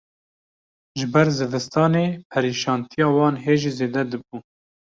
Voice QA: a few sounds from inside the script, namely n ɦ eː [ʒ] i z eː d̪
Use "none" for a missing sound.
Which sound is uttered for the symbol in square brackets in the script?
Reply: ʒ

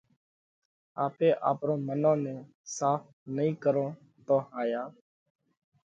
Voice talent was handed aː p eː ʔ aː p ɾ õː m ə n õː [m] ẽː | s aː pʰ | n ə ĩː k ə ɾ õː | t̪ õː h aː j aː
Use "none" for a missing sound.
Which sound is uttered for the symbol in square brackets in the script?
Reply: n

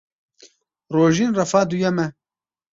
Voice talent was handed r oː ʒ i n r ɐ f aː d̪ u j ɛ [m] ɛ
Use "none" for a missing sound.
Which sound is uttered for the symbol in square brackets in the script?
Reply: m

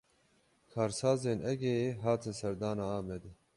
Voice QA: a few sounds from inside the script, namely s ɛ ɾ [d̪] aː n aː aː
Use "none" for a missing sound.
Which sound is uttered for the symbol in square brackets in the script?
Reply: d̪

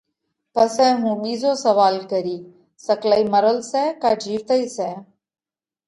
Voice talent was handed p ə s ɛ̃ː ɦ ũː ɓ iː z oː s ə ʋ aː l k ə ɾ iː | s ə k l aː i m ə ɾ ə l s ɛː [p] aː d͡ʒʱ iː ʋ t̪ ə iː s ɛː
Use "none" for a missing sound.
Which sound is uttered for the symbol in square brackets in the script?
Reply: k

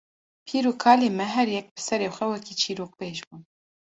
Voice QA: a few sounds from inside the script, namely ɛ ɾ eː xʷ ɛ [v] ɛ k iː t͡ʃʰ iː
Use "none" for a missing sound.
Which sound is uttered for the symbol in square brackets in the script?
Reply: w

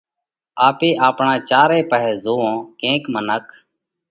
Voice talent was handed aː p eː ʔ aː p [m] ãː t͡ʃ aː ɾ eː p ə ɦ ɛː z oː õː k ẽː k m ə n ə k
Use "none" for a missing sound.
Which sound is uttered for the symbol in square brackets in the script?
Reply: ɳ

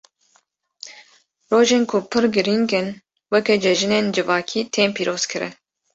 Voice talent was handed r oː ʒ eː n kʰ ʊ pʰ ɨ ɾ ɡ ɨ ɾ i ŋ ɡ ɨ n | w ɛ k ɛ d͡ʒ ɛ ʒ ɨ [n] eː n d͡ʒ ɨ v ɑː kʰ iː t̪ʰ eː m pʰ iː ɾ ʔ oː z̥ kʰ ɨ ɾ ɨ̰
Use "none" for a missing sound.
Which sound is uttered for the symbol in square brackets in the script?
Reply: n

